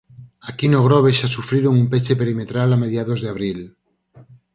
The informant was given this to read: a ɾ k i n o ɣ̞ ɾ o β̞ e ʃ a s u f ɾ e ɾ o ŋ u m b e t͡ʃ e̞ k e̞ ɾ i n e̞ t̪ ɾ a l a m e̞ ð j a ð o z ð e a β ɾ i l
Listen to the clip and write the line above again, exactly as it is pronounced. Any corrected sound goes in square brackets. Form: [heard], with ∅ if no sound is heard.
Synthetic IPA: a [∅] k i n o ɣ̞ ɾ o β̞ e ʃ a s u f ɾ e ɾ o ŋ u m [p] e t͡ʃ e̞ [p] e̞ ɾ i [m] e̞ t̪ ɾ a l a m e̞ ð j a ð o z ð e a β ɾ i l